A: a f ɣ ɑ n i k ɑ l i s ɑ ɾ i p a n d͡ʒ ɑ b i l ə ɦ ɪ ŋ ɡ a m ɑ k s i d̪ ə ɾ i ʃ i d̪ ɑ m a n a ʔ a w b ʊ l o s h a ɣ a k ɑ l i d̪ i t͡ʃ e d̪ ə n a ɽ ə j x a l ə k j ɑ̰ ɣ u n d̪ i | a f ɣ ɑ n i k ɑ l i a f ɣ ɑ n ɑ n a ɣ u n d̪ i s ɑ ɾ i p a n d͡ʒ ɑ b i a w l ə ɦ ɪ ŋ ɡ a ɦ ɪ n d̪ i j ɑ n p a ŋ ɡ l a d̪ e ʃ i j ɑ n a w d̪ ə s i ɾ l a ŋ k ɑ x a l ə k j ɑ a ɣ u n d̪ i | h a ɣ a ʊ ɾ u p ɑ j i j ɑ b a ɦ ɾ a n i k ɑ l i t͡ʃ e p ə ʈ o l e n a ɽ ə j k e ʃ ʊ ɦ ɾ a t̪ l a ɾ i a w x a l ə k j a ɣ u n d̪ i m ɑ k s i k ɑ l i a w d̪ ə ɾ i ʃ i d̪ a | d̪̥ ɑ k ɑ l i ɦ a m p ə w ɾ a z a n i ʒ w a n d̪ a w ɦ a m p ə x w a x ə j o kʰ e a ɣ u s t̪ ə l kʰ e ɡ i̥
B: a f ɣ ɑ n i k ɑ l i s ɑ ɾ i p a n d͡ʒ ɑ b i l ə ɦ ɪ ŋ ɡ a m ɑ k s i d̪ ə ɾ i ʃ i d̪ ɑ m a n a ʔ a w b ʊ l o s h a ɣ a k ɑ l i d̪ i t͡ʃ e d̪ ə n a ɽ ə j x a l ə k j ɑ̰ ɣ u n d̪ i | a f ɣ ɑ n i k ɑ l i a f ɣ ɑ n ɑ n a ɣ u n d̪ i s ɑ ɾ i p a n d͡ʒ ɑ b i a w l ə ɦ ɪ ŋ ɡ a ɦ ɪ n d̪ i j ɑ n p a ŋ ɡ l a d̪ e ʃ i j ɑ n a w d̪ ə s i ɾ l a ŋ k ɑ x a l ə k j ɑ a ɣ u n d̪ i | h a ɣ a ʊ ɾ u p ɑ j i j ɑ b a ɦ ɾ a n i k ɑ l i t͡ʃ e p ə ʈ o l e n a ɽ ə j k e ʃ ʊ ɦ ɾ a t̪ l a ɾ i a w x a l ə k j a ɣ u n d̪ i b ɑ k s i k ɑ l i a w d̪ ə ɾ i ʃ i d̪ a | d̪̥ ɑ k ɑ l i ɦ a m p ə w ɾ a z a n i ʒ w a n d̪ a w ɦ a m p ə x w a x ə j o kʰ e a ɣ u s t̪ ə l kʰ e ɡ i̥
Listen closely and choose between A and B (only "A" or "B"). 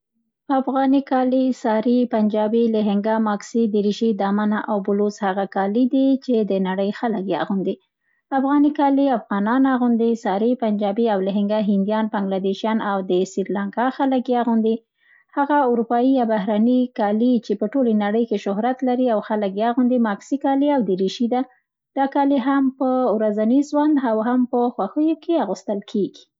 A